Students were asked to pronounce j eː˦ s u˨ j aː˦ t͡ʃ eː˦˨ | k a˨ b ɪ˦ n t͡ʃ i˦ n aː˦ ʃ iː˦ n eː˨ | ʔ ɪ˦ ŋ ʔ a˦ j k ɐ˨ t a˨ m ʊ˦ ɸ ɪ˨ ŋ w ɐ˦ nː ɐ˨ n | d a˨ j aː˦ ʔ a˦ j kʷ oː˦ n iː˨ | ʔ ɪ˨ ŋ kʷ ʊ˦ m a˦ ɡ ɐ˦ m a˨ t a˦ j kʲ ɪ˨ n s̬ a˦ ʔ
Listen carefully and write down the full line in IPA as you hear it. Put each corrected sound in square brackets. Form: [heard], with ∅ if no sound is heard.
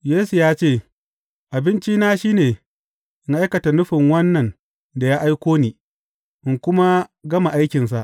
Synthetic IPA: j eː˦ s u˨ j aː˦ t͡ʃ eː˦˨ | [ʔ] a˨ b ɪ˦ n t͡ʃ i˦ n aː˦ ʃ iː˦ n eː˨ | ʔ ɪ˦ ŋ ʔ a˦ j k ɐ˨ t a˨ [n] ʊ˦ ɸ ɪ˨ ŋ w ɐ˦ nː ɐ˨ n | d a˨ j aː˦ ʔ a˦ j kʷ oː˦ n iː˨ | ʔ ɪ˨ ŋ kʷ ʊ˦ m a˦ ɡ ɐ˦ m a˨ [ʔ] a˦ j kʲ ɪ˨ n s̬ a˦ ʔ